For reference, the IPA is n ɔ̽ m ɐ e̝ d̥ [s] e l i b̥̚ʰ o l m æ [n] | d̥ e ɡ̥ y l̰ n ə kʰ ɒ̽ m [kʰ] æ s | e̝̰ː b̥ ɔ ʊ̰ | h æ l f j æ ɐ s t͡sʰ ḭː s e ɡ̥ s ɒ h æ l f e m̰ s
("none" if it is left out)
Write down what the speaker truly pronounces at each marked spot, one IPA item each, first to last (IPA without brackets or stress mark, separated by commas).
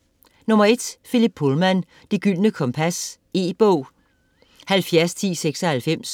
f, n, pʰ